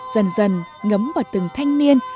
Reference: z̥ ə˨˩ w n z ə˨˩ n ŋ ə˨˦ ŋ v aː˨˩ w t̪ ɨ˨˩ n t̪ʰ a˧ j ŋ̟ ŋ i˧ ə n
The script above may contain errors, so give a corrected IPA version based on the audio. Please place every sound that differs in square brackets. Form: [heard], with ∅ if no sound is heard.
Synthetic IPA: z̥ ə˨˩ [∅] n z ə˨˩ n ŋ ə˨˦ [m] v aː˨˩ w t̪ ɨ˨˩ [ŋ] t̪ʰ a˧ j ŋ̟ [n] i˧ ə n